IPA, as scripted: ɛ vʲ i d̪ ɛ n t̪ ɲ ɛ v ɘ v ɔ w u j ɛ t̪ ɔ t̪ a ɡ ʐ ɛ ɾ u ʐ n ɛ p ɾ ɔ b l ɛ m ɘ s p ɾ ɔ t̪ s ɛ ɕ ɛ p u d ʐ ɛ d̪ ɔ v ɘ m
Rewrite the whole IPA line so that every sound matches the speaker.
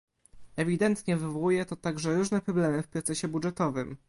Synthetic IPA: ɛ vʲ i d̪ ɛ n t̪ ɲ ɛ v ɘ v ɔ w u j ɛ t̪ ɔ t̪ a ɡ ʐ ɛ ɾ u ʐ n ɛ p ɾ ɔ b l ɛ m ɘ f p ɾ ɔ t̪ s ɛ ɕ ɛ b u d ʐ ɛ t̪ ɔ v ɘ m